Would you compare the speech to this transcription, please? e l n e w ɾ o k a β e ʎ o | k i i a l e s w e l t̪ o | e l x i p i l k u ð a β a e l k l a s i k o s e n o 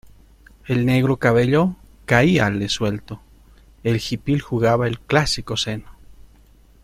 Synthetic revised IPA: e l n e ɣ ɾ o k a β e ʎ o | k a i a l e s w e l t̪ o | e l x i p i l x u ɣ a β a e l k l a s i k o s e n o